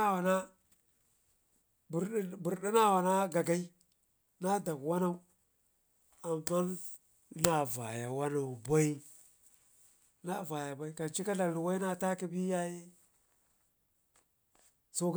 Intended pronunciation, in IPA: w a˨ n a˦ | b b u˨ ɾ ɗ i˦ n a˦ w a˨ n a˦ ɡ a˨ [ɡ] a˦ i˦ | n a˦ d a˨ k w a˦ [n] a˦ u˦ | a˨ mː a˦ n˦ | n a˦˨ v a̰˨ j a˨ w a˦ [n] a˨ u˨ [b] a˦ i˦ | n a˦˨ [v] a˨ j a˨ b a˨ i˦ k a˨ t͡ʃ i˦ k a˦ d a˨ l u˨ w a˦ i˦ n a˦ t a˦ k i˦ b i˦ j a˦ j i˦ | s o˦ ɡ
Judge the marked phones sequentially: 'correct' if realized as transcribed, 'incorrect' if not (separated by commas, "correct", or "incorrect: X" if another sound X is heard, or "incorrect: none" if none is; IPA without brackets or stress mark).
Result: correct, correct, correct, correct, correct